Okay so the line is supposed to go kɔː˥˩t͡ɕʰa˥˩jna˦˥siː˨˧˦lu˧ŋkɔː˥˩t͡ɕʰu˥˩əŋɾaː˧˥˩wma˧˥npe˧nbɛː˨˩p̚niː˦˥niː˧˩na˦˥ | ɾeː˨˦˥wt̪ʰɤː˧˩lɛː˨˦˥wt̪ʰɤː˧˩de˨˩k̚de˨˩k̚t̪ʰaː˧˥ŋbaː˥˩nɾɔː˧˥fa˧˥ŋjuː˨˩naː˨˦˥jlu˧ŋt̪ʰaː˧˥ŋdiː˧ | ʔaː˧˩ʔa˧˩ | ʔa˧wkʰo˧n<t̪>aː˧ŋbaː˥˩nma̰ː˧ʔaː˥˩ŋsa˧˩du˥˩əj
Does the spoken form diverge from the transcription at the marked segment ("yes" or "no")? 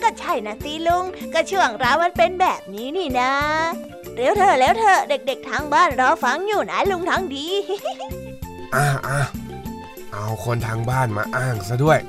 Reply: yes